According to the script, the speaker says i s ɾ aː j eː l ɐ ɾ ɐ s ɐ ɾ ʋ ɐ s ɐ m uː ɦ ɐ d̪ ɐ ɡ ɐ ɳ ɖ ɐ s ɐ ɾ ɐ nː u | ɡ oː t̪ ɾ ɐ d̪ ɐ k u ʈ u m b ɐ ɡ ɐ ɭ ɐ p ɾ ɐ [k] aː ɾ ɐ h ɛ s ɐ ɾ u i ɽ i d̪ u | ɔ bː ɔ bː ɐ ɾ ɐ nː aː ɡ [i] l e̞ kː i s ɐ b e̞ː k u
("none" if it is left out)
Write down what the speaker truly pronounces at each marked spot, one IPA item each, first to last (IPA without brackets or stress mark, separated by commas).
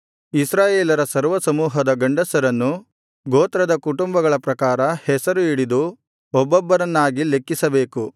k, i